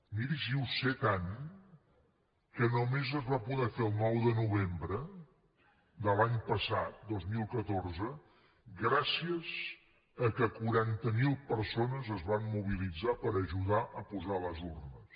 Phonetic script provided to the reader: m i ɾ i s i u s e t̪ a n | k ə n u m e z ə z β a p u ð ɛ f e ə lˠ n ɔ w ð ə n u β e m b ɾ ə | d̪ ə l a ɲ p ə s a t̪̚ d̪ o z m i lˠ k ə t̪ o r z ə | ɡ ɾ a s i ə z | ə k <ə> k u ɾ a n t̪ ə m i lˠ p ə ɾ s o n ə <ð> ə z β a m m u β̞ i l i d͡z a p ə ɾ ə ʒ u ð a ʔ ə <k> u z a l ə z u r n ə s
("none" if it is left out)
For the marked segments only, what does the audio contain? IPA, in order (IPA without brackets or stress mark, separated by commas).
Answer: ə, z, p